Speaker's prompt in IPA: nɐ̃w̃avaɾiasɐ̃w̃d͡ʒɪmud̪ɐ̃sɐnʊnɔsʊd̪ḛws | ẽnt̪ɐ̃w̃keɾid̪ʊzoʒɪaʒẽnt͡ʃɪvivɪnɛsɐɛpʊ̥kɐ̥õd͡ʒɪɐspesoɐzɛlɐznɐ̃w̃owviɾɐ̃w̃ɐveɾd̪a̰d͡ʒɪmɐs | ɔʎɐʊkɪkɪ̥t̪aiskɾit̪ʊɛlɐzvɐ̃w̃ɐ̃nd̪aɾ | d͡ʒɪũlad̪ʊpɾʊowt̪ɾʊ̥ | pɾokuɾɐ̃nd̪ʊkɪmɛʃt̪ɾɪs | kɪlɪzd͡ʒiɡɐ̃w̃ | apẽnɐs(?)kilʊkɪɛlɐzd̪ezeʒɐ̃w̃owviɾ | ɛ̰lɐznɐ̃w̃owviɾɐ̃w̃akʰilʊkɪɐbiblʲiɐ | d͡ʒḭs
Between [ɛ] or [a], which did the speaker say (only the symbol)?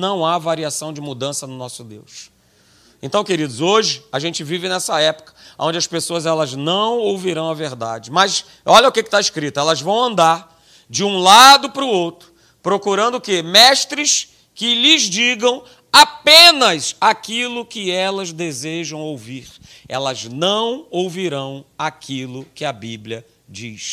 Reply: a